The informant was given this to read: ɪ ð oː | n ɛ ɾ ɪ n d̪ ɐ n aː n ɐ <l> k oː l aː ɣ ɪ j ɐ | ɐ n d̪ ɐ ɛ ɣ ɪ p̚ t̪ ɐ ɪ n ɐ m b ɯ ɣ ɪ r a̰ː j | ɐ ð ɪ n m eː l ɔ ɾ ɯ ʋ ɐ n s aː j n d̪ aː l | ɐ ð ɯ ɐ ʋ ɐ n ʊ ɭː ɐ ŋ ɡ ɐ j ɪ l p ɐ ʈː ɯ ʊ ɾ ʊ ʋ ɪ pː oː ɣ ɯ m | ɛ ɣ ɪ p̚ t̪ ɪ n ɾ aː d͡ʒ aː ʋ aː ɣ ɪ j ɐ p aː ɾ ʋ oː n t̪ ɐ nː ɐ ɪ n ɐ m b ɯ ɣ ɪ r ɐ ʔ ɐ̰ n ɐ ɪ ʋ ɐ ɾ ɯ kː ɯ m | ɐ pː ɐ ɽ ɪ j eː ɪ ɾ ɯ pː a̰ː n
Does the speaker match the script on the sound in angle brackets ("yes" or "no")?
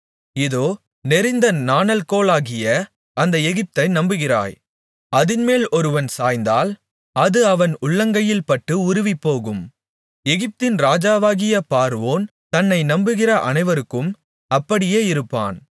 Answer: yes